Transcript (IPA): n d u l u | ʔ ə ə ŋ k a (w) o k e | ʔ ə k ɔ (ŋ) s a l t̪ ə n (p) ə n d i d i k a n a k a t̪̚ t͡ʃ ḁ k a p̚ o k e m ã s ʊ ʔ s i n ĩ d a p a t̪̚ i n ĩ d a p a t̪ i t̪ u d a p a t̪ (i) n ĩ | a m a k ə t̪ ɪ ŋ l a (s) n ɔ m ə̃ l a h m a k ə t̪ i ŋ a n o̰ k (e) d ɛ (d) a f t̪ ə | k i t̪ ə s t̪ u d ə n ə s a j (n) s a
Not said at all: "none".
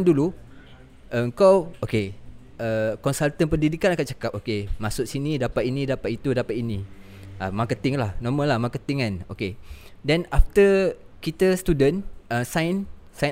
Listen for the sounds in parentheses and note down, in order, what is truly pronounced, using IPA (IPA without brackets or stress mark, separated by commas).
w, n, p, i, h, e, n, n